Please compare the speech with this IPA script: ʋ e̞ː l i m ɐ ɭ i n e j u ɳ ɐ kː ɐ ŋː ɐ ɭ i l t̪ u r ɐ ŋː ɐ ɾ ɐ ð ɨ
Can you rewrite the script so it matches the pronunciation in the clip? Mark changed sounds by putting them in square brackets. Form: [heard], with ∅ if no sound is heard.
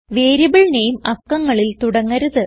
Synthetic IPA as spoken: ʋ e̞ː [ɾ] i [b] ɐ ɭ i n e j u [m] ɐ kː ɐ ŋː ɐ ɭ i l t̪ u [ɽ] ɐ ŋː ɐ ɾ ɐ ð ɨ